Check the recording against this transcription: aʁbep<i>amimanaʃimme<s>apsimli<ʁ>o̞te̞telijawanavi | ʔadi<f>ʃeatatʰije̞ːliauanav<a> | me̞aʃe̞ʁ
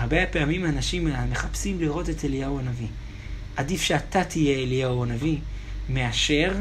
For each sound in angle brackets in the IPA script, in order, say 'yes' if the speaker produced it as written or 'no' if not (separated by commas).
no, no, yes, yes, no